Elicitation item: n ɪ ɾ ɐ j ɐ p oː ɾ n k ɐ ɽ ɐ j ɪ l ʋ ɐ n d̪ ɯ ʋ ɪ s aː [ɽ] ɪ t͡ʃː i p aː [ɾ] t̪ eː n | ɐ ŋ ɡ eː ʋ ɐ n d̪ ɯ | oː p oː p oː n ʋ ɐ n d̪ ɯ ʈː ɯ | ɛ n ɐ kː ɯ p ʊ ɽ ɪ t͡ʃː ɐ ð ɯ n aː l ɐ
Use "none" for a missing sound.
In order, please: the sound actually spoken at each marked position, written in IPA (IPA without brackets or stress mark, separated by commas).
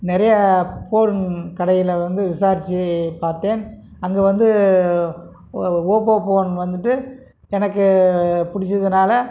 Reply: ɾ, ɾ